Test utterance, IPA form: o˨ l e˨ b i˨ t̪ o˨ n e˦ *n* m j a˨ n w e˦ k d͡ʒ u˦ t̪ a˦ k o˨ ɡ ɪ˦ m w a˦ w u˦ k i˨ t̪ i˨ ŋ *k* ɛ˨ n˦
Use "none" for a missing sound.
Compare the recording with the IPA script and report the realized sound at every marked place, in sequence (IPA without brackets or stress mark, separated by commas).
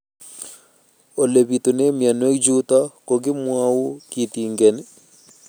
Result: none, ɡ